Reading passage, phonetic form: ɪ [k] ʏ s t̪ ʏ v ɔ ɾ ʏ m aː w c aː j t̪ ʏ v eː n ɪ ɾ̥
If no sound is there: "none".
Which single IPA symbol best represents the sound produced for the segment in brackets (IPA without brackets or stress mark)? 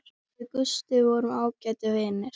k